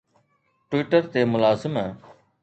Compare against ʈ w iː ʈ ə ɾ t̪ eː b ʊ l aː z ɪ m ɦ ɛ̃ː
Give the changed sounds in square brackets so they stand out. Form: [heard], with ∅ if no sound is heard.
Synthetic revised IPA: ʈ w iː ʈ ə ɾ t̪ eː [m] ʊ l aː z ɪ m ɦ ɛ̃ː